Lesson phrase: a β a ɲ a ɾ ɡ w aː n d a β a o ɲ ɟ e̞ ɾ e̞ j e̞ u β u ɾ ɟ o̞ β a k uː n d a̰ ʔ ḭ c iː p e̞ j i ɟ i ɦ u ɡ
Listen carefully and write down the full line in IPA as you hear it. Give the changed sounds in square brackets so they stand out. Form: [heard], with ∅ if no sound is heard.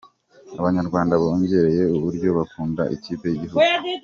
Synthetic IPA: a β a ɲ a ɾ ɡ w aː n d a β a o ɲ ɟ e̞ ɾ e̞ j e̞ u β u ɾ ɟ o̞ β a k uː n d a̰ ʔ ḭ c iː p e̞ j i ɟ i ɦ u ɡ